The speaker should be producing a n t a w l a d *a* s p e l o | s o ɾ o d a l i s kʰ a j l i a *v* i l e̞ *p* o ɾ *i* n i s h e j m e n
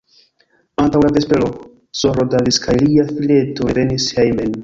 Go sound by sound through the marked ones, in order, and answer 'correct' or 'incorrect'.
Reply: incorrect: e, incorrect: f, incorrect: t, incorrect: e

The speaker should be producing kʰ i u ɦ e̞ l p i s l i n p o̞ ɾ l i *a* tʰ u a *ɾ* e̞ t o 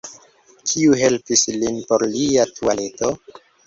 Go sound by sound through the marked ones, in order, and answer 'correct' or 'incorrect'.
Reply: correct, incorrect: l

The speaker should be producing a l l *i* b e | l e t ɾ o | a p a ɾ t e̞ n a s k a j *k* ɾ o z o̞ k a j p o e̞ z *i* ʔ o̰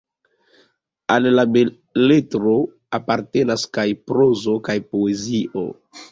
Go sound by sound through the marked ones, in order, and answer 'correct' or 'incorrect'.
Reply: incorrect: a, incorrect: p, correct

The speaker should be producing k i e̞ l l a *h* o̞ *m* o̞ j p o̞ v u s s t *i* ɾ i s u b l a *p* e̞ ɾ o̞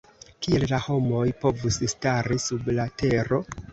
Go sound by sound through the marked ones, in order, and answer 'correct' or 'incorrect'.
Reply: correct, correct, incorrect: a, incorrect: t

